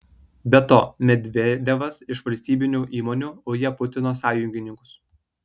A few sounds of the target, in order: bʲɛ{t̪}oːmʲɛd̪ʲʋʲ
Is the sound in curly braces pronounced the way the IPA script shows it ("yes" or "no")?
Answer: yes